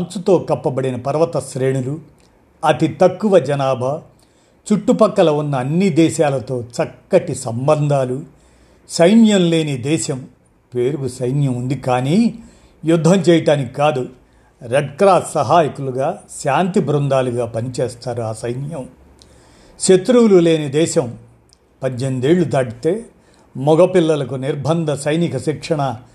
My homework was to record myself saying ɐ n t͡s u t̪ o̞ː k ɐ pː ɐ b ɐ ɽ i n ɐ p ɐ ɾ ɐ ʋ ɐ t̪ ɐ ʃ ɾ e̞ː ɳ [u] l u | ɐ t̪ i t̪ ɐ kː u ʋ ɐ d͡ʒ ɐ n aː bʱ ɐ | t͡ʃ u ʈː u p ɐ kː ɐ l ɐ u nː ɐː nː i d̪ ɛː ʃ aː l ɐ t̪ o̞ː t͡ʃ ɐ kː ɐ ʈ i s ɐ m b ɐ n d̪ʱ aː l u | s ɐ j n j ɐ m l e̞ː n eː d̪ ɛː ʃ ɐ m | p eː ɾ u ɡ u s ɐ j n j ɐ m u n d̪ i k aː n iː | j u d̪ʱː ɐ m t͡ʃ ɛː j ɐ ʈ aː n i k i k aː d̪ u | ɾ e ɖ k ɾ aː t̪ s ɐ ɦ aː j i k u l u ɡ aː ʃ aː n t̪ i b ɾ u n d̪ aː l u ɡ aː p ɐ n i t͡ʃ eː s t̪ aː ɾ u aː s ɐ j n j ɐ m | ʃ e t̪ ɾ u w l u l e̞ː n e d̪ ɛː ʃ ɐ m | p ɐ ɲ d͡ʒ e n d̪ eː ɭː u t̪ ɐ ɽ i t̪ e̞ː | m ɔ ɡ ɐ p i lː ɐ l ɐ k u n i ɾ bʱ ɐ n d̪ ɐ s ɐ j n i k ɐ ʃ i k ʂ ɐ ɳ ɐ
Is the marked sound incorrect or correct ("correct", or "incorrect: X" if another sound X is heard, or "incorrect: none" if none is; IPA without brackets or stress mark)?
correct